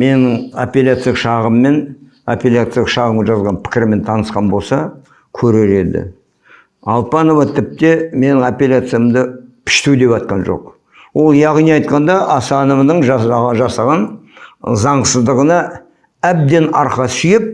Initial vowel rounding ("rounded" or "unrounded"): unrounded